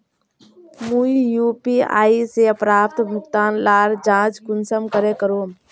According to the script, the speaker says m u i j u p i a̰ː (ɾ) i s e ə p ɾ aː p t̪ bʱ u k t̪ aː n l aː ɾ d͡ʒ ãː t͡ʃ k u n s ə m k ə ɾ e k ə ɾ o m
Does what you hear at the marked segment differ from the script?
yes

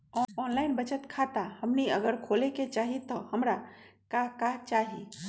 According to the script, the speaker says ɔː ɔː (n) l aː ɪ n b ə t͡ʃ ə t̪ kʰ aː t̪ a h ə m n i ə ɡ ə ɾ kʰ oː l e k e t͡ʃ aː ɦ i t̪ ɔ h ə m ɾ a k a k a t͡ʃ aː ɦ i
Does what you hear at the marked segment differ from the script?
no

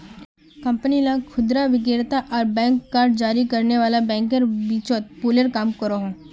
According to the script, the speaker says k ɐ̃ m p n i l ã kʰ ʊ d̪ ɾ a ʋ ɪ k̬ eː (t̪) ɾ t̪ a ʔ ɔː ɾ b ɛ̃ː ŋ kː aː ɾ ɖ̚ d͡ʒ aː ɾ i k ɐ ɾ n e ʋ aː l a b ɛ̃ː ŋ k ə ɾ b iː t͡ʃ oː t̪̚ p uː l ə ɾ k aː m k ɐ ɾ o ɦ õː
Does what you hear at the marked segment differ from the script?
yes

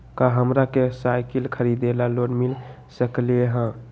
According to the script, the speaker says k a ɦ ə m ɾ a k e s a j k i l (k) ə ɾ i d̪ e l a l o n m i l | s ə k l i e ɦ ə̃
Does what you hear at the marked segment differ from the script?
yes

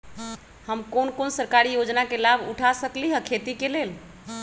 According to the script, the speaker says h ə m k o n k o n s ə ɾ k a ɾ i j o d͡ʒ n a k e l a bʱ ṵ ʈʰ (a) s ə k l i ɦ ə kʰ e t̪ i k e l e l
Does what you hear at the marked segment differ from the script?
no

